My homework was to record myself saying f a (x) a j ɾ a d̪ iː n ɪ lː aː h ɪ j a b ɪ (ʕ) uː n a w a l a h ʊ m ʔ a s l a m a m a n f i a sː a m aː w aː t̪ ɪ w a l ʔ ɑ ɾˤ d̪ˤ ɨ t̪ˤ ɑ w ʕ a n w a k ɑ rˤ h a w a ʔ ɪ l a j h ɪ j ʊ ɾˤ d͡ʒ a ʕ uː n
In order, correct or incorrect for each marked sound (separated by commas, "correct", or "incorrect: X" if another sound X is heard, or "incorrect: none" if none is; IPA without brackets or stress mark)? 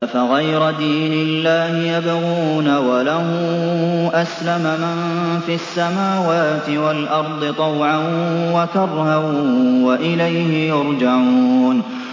incorrect: ɣ, incorrect: ɣ